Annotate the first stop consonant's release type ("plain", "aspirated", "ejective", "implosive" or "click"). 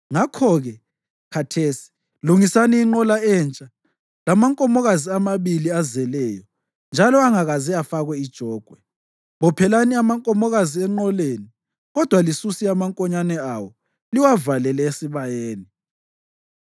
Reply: aspirated